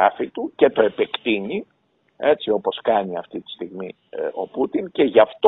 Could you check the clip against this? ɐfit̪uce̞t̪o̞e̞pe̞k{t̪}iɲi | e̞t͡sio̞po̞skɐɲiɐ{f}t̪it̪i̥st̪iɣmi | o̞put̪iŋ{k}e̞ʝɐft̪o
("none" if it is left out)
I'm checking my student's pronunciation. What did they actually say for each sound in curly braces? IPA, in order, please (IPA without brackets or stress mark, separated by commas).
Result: t̪, f, c